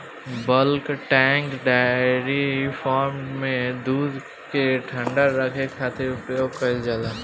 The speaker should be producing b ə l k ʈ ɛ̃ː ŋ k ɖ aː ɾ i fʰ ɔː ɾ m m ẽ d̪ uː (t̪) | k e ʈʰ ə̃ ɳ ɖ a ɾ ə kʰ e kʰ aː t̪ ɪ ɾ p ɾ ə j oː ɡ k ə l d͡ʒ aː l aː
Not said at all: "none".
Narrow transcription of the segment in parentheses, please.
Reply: d̪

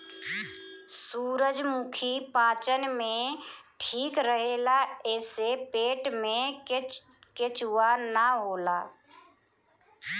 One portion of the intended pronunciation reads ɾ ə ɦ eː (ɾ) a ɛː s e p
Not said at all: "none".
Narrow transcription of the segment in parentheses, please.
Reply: l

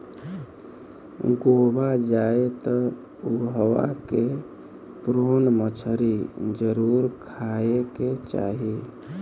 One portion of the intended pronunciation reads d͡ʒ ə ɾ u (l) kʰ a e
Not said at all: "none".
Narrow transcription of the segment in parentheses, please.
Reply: ɾ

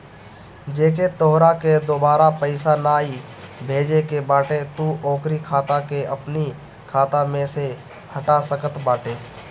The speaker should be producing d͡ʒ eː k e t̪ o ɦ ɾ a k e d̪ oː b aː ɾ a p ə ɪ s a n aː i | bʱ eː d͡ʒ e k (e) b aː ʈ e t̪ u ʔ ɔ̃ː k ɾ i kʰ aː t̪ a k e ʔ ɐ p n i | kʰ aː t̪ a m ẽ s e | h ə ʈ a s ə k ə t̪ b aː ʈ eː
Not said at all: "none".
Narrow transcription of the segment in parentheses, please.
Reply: e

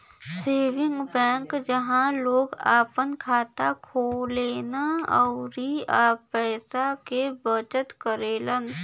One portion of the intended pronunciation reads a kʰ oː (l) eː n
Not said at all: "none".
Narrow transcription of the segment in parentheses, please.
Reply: l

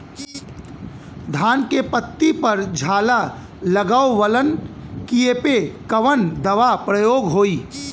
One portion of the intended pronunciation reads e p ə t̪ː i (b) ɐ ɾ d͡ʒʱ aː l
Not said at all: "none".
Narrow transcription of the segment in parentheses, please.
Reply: p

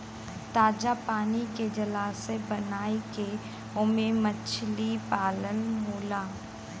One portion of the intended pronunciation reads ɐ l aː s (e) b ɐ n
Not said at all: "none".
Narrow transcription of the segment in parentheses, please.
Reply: e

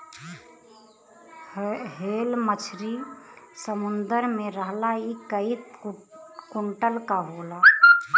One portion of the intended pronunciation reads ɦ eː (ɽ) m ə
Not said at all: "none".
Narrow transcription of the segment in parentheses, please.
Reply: l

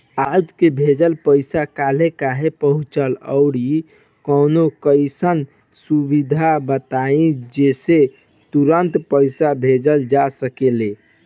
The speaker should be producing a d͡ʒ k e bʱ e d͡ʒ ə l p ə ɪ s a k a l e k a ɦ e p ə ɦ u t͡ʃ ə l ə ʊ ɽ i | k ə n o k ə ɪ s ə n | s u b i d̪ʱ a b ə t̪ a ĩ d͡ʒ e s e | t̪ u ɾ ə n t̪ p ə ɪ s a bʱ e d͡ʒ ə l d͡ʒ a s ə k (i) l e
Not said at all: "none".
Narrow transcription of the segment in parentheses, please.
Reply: e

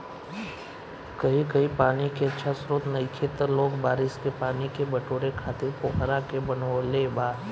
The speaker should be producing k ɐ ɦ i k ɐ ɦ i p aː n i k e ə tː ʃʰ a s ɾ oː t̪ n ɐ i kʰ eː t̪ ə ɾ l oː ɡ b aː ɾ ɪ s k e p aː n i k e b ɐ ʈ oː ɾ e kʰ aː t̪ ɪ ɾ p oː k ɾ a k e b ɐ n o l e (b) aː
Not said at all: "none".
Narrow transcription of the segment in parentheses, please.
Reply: b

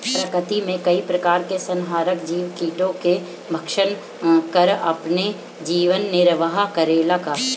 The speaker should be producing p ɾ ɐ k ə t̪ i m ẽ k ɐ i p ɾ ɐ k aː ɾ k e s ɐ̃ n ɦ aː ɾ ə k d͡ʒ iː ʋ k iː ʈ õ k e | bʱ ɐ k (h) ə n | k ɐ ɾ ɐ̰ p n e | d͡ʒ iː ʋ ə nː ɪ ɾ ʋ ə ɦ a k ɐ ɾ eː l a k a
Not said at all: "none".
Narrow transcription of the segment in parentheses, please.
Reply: ʃ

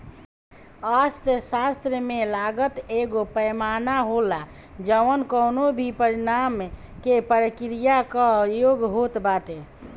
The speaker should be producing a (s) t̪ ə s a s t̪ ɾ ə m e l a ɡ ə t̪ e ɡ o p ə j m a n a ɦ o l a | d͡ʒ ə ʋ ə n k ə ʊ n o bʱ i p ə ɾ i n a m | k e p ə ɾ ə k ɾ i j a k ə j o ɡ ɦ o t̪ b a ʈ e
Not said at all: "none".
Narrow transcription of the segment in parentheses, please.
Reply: s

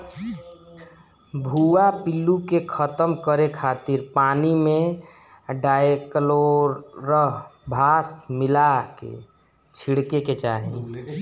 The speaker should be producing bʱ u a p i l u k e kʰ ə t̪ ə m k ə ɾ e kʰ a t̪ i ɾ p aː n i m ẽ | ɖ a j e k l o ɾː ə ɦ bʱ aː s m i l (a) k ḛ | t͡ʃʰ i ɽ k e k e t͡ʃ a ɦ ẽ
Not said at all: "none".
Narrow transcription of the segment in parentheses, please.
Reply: a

